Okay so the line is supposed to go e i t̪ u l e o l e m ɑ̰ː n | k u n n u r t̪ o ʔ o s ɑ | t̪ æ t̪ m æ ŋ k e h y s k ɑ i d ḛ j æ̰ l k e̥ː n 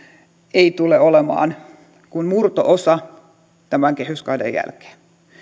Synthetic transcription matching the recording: e i t̪ u l e o l e m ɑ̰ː n | k u n m u r t̪ o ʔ o s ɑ | t̪ æ m æ ŋ k e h y s k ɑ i d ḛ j æ̰ l k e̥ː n